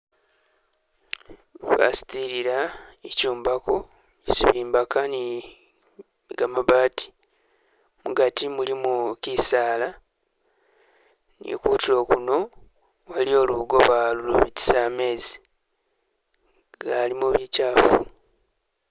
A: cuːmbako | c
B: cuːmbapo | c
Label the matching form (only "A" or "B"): A